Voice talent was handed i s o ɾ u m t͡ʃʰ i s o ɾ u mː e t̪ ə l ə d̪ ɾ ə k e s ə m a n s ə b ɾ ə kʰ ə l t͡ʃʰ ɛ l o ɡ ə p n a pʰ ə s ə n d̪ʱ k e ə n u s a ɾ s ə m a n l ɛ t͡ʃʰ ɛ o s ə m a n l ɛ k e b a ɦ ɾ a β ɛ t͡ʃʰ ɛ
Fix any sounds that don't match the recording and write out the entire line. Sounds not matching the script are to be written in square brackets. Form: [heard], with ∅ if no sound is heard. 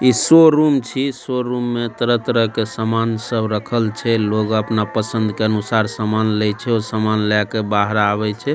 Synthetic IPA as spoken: i s o ɾ u m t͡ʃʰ i s o ɾ u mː e t̪ ə [ɾ] ə [t̪] ɾ ə k e s ə m a n s ə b ɾ ə kʰ ə l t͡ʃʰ ɛ l o ɡ ə p n a [p] ə s ə n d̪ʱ k e ə n u s a ɾ s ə m a n l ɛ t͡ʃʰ ɛ o s ə m a n l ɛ k e b a ɦ ɾ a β ɛ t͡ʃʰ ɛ